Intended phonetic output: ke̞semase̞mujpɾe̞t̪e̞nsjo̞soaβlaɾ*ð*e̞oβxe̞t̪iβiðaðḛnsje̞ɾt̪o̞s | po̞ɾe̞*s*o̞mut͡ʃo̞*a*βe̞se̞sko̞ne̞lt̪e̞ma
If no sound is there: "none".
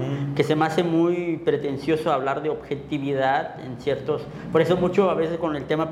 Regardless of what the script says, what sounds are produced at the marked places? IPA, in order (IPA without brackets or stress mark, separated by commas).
ð, s, a